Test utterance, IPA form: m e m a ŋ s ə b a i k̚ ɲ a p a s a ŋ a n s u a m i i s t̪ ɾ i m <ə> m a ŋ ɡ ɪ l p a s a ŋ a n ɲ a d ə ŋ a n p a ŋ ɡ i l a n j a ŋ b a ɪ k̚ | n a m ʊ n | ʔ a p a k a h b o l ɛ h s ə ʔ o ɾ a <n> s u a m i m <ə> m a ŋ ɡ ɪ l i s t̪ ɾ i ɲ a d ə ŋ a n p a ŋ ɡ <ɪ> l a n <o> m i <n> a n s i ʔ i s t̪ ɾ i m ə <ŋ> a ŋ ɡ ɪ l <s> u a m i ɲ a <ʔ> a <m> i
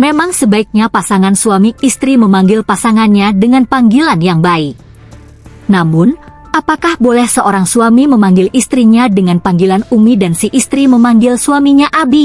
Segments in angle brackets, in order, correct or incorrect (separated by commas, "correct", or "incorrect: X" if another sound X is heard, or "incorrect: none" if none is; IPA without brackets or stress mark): correct, incorrect: ŋ, correct, incorrect: i, incorrect: u, incorrect: d, incorrect: m, correct, correct, incorrect: b